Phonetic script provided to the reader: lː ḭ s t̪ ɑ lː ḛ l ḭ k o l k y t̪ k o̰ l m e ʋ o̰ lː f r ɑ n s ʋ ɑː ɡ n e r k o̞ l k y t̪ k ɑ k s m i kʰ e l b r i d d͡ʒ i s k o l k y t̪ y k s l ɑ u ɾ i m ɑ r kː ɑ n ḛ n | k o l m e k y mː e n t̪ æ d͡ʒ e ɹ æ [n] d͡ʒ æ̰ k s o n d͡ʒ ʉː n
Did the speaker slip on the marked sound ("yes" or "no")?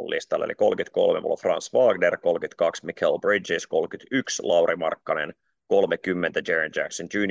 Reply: no